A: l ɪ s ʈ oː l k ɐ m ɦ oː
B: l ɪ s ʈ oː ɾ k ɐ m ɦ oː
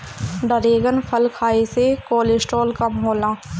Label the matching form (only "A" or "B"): A